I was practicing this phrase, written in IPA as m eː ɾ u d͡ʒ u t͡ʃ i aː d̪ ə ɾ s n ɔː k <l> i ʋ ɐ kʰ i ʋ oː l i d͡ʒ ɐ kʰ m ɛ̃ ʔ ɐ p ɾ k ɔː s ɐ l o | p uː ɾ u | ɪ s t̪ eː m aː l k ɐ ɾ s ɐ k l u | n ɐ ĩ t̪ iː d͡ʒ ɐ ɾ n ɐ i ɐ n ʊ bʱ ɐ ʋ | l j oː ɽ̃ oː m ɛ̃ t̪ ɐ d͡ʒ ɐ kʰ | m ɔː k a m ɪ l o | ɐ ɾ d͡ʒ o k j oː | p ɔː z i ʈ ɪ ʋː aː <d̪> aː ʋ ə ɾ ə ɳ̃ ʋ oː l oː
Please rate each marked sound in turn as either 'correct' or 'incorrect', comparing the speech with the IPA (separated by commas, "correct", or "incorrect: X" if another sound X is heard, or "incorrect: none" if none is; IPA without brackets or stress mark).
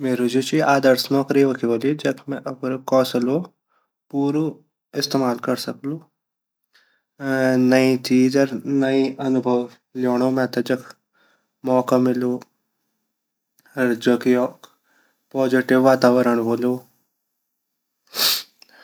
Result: incorrect: ɾ, incorrect: t̪